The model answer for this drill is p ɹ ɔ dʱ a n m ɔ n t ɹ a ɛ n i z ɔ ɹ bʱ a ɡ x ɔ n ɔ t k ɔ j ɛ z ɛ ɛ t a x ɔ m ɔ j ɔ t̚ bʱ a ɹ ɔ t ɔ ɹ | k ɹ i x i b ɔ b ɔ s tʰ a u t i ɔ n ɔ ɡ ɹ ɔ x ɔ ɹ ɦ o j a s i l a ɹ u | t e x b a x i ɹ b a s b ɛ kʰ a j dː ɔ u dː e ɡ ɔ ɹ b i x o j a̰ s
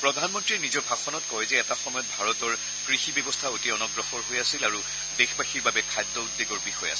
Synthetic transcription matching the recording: p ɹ ɔ dʱ a n m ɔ n t ɹ i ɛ n i z ɔ ɹ bʱ a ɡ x ɔ n ɔ t k ɔ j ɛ z ɛ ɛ t a x ɔ m ɔ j ɔ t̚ bʱ a ɹ ɔ t ɔ ɹ | k ɹ i x i b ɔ b ɔ s tʰ a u t i ɔ n ɔ ɡ ɹ ɔ x ɔ ɹ ɦ o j a s i l a ɹ u | d e x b a x i ɹ b a b ɛ kʰ a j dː ɔ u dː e ɡ ɔ ɹ b i x ɔ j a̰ s

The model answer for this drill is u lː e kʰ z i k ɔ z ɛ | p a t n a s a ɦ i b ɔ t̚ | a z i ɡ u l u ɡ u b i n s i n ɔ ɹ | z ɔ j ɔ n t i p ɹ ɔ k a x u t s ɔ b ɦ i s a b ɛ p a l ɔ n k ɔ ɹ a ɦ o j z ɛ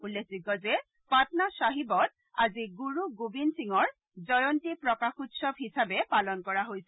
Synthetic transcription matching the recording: u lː e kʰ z i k ɔ z ɛ | p a t n a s a ɦ i b ɔ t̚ | a z i ɡ u ɹ u ɡ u b i n s i ŋ ɔ ɹ | z ɔ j ɔ n t i p ɹ ɔ k a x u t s ɔ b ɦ i s a b ɛ p a l ɔ n k ɔ ɹ a ɦ o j s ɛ

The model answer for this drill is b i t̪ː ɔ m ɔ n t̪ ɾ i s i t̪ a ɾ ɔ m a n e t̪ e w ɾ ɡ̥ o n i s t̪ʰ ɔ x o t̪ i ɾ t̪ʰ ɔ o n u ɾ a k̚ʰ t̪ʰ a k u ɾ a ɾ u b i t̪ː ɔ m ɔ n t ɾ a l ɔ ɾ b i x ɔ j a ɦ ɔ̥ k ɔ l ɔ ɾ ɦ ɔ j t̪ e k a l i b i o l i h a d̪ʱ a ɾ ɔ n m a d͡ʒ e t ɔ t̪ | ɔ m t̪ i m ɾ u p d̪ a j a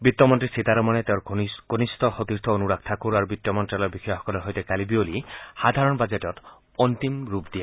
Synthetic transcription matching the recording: b i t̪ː ɔ m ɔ n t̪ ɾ i s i t̪ a ɾ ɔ m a n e t̪ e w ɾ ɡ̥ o n i s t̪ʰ ɔ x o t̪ i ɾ t̪ʰ ɔ o n u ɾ a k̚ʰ t̪ʰ a k u ɾ a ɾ u b i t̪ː ɔ m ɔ n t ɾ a l ɔ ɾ b i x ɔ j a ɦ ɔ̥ k ɔ l ɔ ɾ ɦ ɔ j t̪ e k a l i b i o l i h a d̪ʱ a ɾ ɔ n b a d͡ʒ e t ɔ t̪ | ɔ n t̪ i m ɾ u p d̪ i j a

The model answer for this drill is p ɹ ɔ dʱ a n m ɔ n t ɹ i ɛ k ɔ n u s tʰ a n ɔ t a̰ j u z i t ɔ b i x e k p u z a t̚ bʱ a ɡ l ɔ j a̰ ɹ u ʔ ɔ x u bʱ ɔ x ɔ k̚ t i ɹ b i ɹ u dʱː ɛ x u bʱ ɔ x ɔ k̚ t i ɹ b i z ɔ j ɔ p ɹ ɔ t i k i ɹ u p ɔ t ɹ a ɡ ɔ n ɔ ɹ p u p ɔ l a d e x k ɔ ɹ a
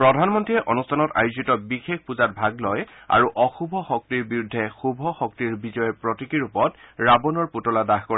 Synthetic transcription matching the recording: p ɹ ɔ dʱ a n m ɔ n t ɹ i ɛ ʔ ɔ n u s tʰ a n ɔ t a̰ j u z i t ɔ b i x e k p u z a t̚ bʱ a ɡ l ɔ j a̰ ɹ u ʔ ɔ x u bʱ ɔ x ɔ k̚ t i ɹ b i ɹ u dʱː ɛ x u bʱ ɔ x ɔ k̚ t i ɹ b i z ɔ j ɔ p ɹ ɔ t i k i ɹ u p ɔ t ɹ a b ɔ n ɔ ɹ p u t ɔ l a d a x k ɔ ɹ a

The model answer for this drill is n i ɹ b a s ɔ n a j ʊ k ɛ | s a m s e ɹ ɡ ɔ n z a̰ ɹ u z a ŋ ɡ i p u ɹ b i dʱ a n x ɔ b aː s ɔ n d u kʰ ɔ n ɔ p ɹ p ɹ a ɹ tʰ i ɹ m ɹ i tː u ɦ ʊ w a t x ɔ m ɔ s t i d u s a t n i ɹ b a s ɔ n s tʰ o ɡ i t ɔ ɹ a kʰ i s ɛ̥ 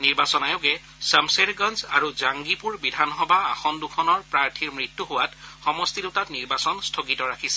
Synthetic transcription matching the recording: n i ɹ b a s ɔ n a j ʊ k ɛ | s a m s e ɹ ɡ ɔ n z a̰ ɹ u z a ŋ ɡ i p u ɹ b i dʱ a n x ɔ b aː x ɔ n d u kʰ ɔ n ɔ ɹ p ɹ a ɹ tʰ i ɹ m ɹ i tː u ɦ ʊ w a t x ɔ m ɔ s t i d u t a t n i ɹ b a s ɔ n s tʰ o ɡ i t ɔ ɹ a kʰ i s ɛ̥

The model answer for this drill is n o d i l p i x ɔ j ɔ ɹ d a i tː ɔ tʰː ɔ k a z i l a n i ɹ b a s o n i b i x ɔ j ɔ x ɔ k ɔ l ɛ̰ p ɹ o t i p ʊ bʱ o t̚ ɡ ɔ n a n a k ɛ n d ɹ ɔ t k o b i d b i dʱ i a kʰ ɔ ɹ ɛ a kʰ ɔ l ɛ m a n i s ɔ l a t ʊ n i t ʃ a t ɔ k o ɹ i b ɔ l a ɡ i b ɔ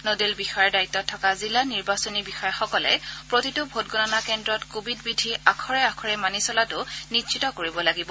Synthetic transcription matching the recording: n o d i l b i x ɔ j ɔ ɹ d a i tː ɔ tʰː ɔ k a z i l a n i ɹ b a s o n i b i x ɔ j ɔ x ɔ k ɔ l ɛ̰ p ɹ o t i t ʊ bʱ o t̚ ɡ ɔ n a n a k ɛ n d ɹ ɔ t k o b i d b i dʱ i a kʰ ɔ ɹ ɛ a kʰ ɔ ɹ ɛ m a n i s ɔ l a t ʊ n i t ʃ i t ɔ k o ɹ i b ɔ l a ɡ i b ɔ

